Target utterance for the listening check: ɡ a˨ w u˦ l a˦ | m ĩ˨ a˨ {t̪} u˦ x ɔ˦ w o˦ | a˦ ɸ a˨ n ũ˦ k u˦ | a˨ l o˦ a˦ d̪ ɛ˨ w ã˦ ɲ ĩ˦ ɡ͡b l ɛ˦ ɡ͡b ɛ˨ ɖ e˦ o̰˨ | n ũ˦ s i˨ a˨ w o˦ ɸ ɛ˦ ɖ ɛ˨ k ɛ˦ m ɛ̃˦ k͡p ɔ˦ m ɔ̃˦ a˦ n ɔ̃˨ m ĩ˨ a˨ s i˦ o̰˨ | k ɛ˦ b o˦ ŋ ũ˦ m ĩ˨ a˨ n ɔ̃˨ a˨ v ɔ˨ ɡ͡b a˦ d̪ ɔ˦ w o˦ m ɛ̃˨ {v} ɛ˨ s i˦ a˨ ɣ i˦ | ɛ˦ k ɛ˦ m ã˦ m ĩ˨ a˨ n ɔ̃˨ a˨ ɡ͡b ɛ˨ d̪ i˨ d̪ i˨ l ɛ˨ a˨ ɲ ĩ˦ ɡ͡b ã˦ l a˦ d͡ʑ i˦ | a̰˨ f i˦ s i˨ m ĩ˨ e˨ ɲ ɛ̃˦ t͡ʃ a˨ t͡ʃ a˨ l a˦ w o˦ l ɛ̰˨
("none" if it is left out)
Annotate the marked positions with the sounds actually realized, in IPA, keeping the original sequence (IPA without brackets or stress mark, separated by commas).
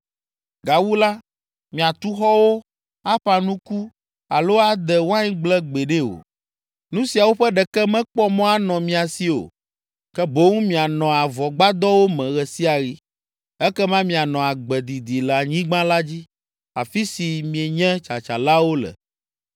t̪, ɣ